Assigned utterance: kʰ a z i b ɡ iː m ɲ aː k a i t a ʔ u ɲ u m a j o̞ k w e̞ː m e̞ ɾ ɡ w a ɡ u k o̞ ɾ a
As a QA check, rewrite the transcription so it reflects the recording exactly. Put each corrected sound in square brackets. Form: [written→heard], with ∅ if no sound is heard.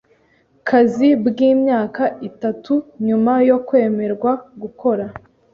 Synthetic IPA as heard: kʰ a z i b ɡ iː m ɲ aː k a i t a [ʔ→t] u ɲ u m a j o̞ k w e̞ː m e̞ ɾ ɡ w a ɡ u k o̞ ɾ a